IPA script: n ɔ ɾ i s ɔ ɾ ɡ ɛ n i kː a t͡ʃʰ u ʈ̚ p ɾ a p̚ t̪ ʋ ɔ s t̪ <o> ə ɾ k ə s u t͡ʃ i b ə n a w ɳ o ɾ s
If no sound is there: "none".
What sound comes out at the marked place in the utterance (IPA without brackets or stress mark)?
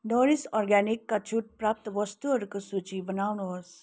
u